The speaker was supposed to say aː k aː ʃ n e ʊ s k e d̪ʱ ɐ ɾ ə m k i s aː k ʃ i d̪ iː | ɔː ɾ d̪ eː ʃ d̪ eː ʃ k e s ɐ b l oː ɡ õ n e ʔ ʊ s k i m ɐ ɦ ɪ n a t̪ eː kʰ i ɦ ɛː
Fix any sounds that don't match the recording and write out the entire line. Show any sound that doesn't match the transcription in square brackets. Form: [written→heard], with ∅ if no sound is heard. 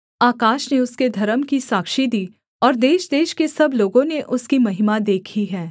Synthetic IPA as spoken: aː k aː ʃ n e ʊ s k e d̪ʱ ɐ ɾ ə m k i s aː k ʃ i d̪ iː | ɔː ɾ d̪ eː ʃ d̪ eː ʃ k e s ɐ b l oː ɡ õ n e ʔ ʊ s k i m ɐ ɦ ɪ [n→m] a [t̪→d̪] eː kʰ i ɦ ɛː

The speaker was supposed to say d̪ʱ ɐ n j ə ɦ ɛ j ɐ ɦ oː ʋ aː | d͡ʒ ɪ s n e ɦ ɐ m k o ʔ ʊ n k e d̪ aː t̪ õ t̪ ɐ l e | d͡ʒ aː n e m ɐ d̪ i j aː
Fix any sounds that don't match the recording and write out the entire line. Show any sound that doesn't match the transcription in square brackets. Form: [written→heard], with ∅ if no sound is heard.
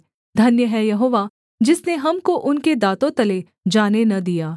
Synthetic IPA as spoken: d̪ʱ ɐ n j ə ɦ ɛ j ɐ ɦ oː ʋ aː | d͡ʒ ɪ s n e ɦ ɐ m k o ʔ ʊ n k e d̪ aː t̪ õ t̪ ɐ l e | d͡ʒ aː n e [m→n] ɐ d̪ i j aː

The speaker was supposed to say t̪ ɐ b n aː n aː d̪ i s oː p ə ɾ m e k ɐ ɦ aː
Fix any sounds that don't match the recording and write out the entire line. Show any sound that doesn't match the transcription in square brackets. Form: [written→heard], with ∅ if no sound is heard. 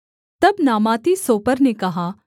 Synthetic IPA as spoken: t̪ ɐ b n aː [n→m] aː [d̪→t̪] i s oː p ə ɾ [m→n] e k ɐ ɦ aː

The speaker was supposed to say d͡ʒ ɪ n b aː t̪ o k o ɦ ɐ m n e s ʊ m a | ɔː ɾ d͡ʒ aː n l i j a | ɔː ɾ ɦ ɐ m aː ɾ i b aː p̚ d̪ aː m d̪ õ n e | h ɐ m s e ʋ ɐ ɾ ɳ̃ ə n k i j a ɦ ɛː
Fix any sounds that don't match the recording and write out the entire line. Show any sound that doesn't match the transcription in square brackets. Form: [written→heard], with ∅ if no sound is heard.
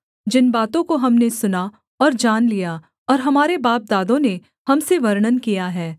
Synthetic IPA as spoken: d͡ʒ ɪ n b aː t̪ [o→õ] k o ɦ ɐ m n e s ʊ [m→n] a | ɔː ɾ d͡ʒ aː n l i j a | ɔː ɾ ɦ ɐ m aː ɾ [i→e] b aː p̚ d̪ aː [m→∅] d̪ õ n e | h ɐ m s e ʋ ɐ ɾ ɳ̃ ə n k i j a ɦ ɛː

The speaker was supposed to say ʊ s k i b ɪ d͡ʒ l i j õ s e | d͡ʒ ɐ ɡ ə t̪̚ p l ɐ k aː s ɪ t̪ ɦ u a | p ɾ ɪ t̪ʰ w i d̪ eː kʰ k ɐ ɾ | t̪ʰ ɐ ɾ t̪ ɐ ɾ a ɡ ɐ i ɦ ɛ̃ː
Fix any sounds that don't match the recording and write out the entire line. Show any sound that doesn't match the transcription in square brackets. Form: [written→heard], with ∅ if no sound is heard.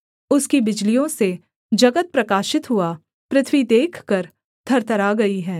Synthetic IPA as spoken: ʊ s k i b ɪ d͡ʒ l i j õ s e | d͡ʒ ɐ ɡ ə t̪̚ p [l→ɾ] ɐ k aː [s→ʃ] ɪ t̪ ɦ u a | p ɾ ɪ t̪ʰ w i d̪ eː kʰ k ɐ ɾ | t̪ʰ ɐ ɾ t̪ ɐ ɾ a ɡ ɐ i ɦ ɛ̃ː

